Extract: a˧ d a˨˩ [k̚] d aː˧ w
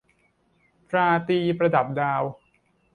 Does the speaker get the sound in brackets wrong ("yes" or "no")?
yes